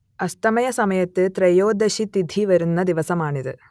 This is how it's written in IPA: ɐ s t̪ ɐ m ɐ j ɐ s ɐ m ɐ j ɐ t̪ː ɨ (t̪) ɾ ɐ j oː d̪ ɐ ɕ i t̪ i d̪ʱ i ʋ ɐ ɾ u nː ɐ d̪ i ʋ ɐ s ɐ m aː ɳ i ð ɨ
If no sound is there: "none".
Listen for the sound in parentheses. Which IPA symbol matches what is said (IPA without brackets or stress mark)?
t̪